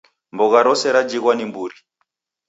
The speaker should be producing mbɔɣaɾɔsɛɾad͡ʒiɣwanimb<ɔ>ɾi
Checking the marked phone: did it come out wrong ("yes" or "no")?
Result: yes